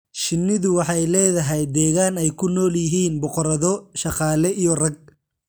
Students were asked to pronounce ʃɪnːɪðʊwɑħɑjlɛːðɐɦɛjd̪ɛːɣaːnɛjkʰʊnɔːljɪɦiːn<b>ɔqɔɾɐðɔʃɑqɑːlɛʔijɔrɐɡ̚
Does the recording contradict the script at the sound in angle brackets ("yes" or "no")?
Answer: no